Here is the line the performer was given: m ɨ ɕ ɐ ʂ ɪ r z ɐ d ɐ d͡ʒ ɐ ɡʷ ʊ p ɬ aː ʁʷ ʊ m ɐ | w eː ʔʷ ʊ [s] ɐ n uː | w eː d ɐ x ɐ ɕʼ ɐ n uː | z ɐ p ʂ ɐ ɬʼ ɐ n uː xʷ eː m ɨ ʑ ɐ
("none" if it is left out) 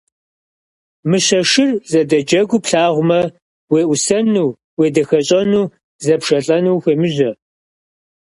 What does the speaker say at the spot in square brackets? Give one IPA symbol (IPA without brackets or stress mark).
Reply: s